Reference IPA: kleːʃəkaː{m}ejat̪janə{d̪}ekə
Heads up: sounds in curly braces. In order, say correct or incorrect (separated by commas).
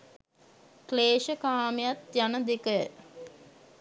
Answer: correct, correct